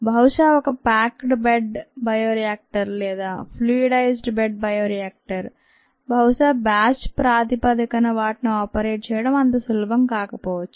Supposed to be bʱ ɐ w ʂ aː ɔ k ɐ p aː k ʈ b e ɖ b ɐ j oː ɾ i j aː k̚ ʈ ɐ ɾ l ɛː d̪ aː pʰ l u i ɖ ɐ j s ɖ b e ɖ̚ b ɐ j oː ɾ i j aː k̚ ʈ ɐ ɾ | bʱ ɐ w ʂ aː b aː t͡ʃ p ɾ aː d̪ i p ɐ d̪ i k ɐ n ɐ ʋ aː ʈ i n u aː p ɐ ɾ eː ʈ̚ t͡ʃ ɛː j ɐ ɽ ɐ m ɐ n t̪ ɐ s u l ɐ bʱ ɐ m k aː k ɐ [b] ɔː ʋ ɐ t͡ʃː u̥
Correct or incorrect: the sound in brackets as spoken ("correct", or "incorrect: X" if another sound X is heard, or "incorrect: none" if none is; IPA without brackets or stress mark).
incorrect: p